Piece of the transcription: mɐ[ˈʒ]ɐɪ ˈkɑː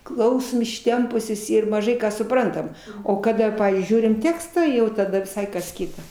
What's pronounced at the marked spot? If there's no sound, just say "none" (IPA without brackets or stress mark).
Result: ʒ